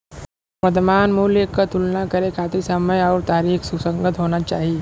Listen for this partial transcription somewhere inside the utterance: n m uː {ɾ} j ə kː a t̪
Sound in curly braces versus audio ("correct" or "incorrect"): incorrect